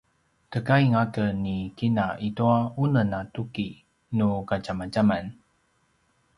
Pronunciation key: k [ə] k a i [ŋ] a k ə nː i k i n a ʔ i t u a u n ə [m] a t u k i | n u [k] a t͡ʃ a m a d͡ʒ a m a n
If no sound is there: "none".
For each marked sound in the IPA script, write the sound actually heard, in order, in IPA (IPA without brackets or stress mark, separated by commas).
ə, ŋ, n, k